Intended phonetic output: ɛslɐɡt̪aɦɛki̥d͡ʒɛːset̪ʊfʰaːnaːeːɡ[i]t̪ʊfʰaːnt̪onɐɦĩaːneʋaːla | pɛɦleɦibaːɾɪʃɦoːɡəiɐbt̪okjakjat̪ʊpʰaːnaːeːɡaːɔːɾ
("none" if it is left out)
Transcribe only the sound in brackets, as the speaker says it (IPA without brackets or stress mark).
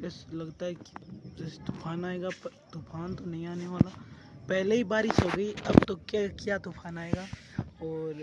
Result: a